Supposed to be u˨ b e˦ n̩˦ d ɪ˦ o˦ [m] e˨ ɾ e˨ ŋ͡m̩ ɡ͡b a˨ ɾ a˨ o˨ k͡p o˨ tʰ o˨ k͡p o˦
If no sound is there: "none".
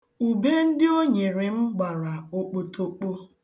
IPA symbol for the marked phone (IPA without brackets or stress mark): ɲ